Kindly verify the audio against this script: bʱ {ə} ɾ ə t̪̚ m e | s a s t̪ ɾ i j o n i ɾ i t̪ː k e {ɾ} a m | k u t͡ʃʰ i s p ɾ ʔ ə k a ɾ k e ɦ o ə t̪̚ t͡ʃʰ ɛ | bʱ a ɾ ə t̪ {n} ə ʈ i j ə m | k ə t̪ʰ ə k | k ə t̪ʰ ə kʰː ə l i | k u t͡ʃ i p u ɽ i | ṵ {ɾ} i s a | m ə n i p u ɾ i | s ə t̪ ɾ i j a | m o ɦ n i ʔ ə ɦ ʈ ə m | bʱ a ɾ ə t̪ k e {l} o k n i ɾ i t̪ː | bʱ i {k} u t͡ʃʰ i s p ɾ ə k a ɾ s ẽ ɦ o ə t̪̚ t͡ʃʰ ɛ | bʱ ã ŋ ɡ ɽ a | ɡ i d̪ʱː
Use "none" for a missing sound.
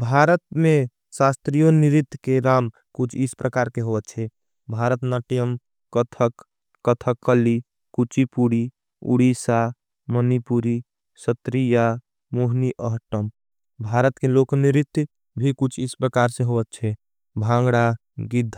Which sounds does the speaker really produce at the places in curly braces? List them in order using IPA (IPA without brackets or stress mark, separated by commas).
a, ɾ, n, ɽ, l, k